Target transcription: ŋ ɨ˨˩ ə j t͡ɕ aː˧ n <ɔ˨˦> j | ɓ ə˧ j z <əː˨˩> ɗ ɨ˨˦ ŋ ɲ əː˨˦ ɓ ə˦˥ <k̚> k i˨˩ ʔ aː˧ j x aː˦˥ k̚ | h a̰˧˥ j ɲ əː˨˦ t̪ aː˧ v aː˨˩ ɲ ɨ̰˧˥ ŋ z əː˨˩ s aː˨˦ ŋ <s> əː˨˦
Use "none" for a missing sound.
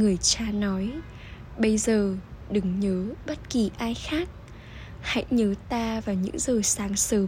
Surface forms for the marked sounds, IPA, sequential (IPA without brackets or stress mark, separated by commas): ɔ˨˦, əː˨˩, t̚, s